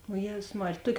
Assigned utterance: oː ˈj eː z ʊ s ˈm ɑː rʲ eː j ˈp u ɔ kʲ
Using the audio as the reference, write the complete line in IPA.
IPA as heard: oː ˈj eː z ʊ s ˈm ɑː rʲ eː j ˈt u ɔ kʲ